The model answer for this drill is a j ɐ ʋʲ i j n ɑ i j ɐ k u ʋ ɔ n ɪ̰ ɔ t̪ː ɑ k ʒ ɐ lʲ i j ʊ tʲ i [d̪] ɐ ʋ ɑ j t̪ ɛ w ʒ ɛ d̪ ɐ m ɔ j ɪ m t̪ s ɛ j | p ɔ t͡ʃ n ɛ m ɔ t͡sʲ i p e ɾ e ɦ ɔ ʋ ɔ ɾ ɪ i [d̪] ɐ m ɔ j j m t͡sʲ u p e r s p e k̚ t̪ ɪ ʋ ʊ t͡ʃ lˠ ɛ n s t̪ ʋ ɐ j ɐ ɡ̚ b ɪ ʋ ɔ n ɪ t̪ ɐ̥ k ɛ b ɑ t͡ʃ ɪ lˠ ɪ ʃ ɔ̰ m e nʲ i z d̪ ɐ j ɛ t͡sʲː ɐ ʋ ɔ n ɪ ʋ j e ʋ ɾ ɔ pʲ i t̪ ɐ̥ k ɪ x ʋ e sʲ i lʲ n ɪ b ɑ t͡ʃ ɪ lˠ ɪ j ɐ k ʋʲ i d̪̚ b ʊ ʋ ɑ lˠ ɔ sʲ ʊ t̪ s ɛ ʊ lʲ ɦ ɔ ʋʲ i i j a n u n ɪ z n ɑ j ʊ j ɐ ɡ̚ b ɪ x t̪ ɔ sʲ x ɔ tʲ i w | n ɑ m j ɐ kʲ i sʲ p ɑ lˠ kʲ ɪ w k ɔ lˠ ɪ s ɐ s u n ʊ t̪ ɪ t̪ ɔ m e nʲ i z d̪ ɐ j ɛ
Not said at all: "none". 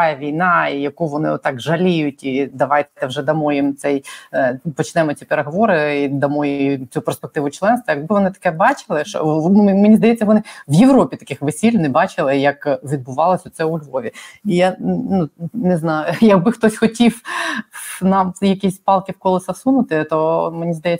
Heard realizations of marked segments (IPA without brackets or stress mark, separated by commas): d̪, d̪